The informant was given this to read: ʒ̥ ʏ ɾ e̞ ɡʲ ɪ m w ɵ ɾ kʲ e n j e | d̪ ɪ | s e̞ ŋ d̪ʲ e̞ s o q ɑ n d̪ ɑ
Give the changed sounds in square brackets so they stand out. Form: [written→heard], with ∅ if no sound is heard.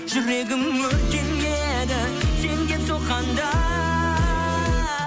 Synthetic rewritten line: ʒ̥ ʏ ɾ e̞ ɡʲ ɪ m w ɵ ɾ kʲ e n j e | d̪ ɪ | s e̞ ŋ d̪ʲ e̞ s o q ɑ n d̪ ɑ

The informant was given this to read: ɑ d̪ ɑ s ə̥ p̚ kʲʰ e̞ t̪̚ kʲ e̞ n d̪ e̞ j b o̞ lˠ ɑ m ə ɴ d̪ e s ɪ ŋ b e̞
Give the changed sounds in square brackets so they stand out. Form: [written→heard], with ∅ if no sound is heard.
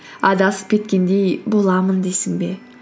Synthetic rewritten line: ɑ d̪ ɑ s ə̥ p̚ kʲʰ e̞ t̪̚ kʲ e̞ n d̪ e̞ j b o̞ lˠ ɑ m ə [ɴ→n] d̪ e s ɪ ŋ b e̞

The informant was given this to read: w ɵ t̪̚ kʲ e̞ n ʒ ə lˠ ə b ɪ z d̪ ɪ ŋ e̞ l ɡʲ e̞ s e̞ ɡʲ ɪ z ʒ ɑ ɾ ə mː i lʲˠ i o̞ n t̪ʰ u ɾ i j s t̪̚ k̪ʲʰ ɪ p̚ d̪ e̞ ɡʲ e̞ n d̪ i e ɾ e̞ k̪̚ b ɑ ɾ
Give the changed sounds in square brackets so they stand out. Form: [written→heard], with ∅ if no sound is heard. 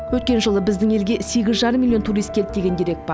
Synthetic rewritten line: w ɵ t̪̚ kʲ e̞ n ʒ ə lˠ ə b ɪ z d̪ ɪ ŋ e̞ l ɡʲ e̞ s e̞ ɡʲ ɪ z ʒ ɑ ɾ ə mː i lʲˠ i o̞ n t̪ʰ u ɾ i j s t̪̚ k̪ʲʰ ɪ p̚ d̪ e̞ ɡʲ e̞ n d̪ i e ɾ e̞ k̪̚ b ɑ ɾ

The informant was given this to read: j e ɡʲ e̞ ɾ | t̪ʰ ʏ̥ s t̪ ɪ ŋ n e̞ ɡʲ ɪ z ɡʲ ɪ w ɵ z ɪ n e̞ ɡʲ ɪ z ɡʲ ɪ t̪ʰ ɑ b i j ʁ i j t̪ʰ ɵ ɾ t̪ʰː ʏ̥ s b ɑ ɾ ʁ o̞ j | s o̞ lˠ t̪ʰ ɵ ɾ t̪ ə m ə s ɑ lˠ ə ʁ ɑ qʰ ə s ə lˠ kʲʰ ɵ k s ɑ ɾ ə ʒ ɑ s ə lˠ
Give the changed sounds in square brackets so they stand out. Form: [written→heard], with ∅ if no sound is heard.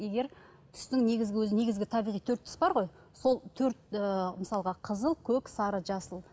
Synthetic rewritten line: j e ɡʲ e̞ ɾ | t̪ʰ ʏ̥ s t̪ ɪ ŋ n e̞ ɡʲ ɪ z ɡʲ ɪ w ɵ z ɪ n e̞ ɡʲ ɪ z ɡʲ ɪ t̪ʰ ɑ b i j ʁ i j t̪ʰ ɵ ɾ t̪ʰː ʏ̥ s b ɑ ɾ ʁ o̞ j | s o̞ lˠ t̪ʰ ɵ ɾ t̪ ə m ə s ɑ lˠ ə ʁ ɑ qʰ ə [s→z] ə lˠ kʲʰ ɵ k s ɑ ɾ ə ʒ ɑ s ə lˠ

